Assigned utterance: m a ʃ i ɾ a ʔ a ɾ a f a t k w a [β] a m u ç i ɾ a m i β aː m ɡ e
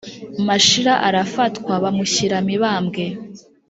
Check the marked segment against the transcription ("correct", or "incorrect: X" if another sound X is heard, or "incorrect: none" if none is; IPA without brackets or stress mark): correct